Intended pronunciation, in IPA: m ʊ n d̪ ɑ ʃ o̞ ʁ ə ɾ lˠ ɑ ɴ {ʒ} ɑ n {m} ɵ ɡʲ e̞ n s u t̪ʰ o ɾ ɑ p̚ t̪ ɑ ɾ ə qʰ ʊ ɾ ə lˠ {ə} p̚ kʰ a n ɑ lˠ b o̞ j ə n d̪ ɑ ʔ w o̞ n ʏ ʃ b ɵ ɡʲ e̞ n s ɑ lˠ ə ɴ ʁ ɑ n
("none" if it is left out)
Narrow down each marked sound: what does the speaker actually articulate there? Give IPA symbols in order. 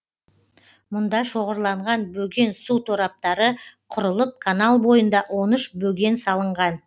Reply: ʁ, b, ə

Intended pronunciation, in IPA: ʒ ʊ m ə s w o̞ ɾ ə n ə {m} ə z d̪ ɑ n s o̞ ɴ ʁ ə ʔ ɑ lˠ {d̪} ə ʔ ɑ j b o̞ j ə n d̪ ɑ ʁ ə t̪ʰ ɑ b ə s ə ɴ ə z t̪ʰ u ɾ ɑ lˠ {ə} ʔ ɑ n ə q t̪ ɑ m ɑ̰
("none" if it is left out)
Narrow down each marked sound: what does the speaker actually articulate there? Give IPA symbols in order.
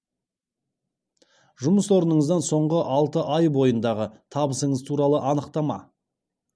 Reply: ɴ, t̪, ə

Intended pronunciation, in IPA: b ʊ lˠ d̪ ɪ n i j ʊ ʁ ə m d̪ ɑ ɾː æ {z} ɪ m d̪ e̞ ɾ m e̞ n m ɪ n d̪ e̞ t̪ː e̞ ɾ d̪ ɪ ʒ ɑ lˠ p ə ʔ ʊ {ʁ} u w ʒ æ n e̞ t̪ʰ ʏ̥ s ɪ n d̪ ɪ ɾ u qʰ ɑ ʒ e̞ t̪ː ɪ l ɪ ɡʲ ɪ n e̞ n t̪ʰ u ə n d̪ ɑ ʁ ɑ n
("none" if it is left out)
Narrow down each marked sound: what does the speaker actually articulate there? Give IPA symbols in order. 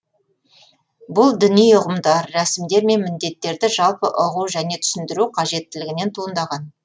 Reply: s, ʁ

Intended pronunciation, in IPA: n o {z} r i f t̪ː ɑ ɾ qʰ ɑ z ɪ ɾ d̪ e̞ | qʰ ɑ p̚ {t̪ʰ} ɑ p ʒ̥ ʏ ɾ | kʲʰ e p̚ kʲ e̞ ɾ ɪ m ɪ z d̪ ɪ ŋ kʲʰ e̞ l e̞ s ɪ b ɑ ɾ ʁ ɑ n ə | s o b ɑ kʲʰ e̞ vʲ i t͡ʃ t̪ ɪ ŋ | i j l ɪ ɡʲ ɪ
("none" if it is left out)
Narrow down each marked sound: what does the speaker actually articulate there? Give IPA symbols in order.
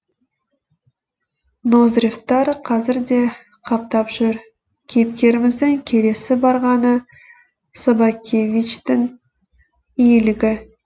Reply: z, t̪

